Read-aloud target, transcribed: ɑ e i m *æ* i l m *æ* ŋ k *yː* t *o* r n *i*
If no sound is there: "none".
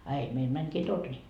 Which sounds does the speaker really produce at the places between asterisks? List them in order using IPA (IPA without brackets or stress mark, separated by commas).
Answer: e, æ, iː, o, i